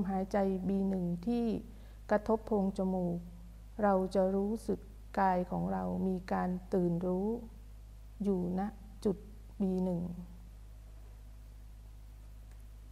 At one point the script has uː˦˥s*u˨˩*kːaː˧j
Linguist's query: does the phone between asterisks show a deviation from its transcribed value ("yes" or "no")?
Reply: yes